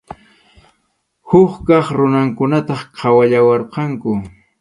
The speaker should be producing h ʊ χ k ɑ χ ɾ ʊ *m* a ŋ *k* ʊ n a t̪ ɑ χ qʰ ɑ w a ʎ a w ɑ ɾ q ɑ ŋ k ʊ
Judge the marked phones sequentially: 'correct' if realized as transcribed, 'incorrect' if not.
incorrect: n, correct

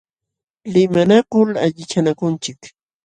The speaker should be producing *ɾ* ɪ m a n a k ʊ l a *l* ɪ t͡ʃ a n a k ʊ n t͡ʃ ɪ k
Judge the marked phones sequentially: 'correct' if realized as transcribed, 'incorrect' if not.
incorrect: l, incorrect: ʎ

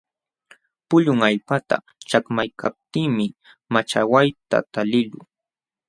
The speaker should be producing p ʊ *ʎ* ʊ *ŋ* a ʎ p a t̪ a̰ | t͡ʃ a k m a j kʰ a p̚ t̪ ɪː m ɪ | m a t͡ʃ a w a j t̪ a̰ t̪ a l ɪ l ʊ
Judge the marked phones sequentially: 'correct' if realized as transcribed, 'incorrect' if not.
correct, correct

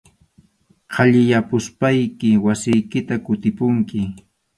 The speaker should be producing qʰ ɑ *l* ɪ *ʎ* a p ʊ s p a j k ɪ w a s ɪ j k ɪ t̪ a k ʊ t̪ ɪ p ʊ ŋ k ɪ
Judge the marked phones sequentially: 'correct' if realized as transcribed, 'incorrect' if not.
incorrect: ʎ, incorrect: j

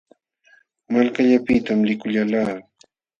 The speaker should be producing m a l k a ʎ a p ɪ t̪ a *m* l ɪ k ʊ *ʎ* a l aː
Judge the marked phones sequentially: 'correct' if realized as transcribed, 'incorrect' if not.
correct, correct

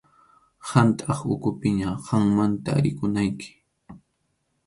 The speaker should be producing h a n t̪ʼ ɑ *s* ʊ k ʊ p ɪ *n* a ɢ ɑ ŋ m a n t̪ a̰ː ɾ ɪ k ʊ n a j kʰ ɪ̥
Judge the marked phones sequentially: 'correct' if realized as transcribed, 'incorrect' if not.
incorrect: χ, incorrect: ɲ

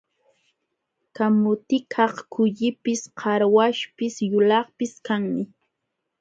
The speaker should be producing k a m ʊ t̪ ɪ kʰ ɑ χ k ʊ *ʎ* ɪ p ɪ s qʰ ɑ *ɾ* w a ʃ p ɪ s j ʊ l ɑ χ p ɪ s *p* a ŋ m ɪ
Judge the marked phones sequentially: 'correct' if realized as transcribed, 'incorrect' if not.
correct, correct, incorrect: k

